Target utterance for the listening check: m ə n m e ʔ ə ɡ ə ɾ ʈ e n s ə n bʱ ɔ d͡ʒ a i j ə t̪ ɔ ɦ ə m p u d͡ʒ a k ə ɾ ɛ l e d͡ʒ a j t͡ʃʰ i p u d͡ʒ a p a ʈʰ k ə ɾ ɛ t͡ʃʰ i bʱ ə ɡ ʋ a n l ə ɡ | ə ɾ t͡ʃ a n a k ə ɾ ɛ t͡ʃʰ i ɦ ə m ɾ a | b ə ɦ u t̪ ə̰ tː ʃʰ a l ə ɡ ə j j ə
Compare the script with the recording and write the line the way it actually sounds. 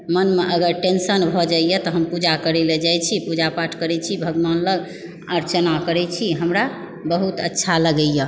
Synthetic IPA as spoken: m ə n m e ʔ ə ɡ ə ɾ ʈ e n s ə n bʱ ɔ d͡ʒ a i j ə t̪ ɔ ɦ ə m p u d͡ʒ a k ə ɾ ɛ l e d͡ʒ a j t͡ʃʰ i p u d͡ʒ a p a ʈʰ k ə ɾ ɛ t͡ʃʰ i bʱ ə ɡ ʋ a n l ə ɡ | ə ɾ t͡ʃ ə n a k ə ɾ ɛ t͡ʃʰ i ɦ ə m ɾ a | b ə ɦ u t̪ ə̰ tː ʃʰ a l ə ɡ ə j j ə